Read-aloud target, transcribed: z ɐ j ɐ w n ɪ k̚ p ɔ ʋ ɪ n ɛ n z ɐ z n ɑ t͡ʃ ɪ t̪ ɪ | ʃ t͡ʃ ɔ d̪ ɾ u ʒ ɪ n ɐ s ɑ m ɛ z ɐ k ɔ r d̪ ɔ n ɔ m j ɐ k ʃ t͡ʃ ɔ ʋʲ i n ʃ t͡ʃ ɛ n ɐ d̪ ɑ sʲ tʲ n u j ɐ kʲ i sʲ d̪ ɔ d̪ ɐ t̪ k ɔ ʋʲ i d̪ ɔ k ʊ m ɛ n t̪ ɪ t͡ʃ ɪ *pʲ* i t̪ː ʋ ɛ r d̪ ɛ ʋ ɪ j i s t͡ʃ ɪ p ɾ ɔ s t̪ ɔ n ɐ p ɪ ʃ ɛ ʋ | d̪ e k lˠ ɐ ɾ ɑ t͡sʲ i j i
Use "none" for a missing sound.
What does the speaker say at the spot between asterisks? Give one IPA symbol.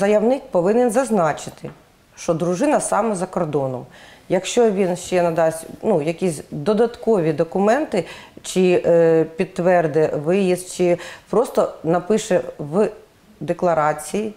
pʲ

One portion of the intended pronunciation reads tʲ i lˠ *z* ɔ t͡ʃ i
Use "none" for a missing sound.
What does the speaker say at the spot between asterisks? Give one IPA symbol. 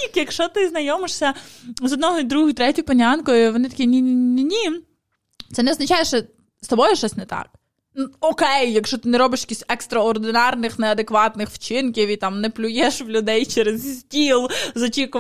z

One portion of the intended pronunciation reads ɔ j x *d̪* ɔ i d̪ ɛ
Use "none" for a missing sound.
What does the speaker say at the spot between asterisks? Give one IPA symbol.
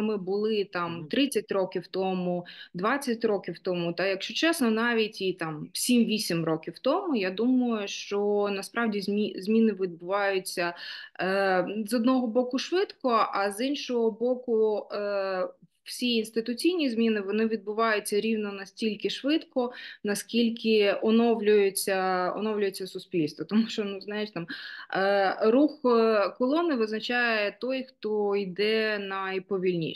t̪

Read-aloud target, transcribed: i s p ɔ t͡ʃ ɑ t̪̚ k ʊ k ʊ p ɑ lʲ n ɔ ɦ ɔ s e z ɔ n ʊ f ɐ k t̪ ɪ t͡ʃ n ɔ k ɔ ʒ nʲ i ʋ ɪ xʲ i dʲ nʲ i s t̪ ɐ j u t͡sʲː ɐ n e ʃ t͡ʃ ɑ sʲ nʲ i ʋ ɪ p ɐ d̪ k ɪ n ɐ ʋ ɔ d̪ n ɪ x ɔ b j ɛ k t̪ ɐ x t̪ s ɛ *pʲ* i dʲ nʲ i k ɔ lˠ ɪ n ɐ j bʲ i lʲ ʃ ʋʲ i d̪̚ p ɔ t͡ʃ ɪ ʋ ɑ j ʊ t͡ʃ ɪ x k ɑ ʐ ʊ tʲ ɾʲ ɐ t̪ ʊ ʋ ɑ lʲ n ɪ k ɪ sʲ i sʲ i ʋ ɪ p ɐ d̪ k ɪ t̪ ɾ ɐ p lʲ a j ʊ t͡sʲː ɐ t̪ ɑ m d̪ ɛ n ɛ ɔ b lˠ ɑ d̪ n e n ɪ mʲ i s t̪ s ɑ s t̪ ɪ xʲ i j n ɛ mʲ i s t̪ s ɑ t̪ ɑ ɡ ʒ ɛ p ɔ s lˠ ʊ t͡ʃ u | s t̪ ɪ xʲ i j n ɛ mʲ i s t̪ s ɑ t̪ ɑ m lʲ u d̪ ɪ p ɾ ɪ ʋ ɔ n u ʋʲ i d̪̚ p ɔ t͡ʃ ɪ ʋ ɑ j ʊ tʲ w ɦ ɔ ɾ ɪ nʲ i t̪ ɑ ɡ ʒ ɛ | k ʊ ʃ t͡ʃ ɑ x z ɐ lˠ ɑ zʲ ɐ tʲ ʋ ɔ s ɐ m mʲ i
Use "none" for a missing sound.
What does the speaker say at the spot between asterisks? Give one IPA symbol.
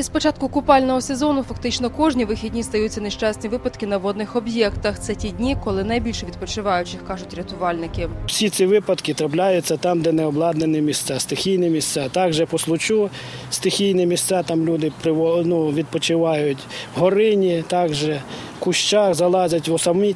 tʲ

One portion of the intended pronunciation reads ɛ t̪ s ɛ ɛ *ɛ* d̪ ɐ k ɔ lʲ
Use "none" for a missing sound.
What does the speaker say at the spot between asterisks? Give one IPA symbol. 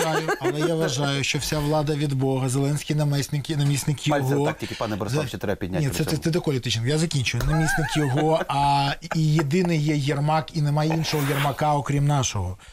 ɛ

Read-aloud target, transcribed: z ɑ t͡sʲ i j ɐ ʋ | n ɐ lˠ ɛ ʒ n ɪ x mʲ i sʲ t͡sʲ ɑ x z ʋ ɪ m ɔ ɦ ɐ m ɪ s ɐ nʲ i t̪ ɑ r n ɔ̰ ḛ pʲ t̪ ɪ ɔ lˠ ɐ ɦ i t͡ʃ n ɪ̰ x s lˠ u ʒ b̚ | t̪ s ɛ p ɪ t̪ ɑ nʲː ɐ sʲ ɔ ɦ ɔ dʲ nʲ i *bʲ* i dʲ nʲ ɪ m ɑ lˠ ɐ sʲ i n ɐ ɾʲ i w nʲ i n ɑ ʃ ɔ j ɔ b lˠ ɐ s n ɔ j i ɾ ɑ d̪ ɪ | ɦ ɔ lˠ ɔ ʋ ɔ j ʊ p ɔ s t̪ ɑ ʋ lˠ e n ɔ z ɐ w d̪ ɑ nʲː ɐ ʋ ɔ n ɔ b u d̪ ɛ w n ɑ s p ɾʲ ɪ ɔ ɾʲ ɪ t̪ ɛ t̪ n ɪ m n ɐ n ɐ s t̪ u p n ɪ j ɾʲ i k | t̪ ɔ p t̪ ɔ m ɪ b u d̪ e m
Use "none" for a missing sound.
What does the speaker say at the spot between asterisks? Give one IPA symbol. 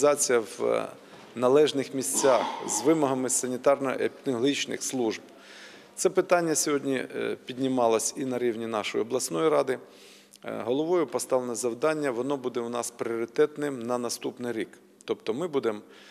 pʲ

